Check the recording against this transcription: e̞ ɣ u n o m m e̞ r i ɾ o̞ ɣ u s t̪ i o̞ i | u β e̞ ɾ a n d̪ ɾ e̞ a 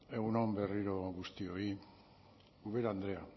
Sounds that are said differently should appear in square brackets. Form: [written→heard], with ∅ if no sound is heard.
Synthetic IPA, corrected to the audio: e̞ ɣ u n o m [m→b] e̞ r i ɾ o̞ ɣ u s t̪ i o̞ i | u β e̞ ɾ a n d̪ ɾ e̞ a